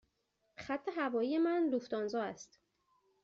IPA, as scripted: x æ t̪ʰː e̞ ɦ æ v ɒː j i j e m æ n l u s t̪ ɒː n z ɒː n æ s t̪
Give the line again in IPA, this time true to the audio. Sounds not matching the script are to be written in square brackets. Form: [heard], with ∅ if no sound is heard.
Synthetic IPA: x æ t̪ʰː e̞ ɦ æ v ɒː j i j e m æ n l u [f] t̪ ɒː n z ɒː [∅] æ s t̪